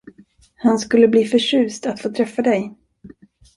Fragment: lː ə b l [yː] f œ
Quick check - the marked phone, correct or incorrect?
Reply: incorrect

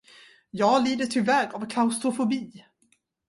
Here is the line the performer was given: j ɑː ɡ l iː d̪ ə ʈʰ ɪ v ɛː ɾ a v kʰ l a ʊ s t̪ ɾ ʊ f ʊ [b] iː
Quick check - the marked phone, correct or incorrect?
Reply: correct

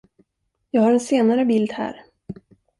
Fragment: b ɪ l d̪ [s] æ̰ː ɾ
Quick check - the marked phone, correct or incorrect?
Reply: incorrect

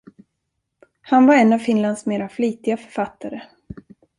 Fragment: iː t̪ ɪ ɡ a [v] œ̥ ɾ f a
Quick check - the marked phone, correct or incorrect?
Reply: incorrect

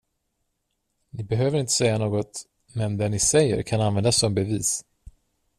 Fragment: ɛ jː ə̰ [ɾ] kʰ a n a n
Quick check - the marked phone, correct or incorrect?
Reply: correct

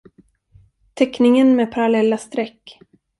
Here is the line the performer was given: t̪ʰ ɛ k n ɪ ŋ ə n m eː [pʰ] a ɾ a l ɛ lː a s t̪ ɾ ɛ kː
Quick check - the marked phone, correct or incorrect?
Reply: correct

